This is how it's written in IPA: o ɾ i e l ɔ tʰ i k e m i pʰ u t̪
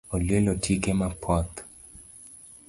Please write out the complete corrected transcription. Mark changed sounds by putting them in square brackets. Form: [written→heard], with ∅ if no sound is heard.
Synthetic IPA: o [ɾ→l] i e l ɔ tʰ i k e m [i→a] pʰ [u→ɔ] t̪